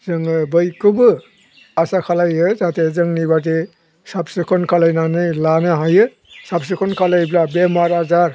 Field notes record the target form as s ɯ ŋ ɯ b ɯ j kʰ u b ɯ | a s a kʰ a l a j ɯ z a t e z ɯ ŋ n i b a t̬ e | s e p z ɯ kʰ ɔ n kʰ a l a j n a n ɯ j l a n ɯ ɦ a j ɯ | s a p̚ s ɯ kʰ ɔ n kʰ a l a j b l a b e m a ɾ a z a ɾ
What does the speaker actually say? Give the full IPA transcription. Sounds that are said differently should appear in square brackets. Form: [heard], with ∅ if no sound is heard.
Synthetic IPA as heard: [z] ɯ ŋ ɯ b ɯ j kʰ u b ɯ | a s a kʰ a l a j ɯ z a t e z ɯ ŋ n i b a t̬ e | s [a] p [s] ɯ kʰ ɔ n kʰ a l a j n a n ɯ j l a n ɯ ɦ a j ɯ | s a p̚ s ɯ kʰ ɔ n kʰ a l a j b l a b e m a ɾ a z a ɾ